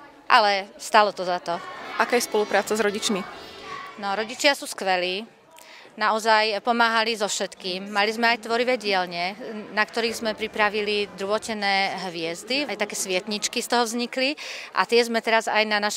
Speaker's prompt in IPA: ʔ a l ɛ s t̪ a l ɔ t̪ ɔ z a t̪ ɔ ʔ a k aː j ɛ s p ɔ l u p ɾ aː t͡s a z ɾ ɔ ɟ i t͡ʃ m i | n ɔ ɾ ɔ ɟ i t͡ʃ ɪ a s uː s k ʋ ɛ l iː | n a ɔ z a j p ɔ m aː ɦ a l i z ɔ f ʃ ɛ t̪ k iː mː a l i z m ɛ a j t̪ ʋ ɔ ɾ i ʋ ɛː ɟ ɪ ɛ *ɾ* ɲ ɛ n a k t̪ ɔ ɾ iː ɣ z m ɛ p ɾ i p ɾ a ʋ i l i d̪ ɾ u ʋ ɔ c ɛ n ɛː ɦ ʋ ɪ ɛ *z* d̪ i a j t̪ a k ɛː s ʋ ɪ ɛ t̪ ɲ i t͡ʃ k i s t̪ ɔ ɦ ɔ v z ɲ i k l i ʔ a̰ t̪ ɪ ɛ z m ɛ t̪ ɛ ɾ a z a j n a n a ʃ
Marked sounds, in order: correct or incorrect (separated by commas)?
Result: incorrect, correct